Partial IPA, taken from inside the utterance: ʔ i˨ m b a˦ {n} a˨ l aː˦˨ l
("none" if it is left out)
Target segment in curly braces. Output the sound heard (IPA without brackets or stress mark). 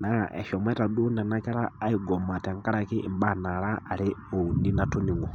n